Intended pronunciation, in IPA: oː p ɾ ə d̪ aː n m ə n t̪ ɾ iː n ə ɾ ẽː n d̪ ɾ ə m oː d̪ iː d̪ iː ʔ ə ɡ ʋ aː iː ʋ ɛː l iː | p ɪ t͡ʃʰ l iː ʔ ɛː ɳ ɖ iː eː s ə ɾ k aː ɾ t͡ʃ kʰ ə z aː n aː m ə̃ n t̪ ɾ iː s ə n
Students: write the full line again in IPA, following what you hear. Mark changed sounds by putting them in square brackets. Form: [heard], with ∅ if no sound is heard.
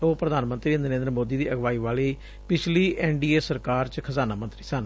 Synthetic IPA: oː p ɾ ə d̪ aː n m ə n t̪ ɾ iː n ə ɾ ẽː n d̪ ɾ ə m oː d̪ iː d̪ iː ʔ ə ɡ ʋ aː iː ʋ [aː] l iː | p ɪ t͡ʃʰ l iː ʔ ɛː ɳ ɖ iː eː s ə ɾ k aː ɾ t͡ʃ kʰ ə z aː n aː m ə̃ n t̪ ɾ iː s ə n